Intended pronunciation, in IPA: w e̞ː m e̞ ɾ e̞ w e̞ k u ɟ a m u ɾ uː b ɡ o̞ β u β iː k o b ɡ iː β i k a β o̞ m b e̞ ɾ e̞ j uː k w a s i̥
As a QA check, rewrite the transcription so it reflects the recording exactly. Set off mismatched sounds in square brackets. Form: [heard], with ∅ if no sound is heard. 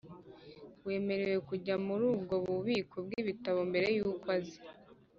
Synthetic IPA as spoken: w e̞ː m e̞ ɾ e̞ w e̞ k u ɟ a m u ɾ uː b ɡ o̞ β u β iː k o b ɡ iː β i [t] a β o̞ m b e̞ ɾ e̞ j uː k w a [z] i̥

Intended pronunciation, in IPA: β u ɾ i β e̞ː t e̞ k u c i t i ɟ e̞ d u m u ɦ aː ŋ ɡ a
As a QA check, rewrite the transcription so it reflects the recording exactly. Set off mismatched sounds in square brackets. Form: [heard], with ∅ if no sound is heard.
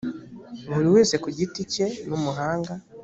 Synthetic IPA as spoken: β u ɾ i [w] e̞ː [s] e̞ k u [ɟ] i t i [c] e̞ [n] u m u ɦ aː ŋ ɡ a

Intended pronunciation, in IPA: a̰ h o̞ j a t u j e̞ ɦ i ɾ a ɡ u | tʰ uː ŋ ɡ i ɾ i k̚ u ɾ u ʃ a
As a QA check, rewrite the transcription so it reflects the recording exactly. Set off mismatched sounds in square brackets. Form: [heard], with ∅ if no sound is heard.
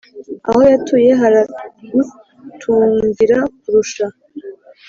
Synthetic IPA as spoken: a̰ h o̞ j a t u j e̞ ɦ [a] ɾ a ɡ u | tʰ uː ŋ ɡ i ɾ [a] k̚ u ɾ u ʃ a

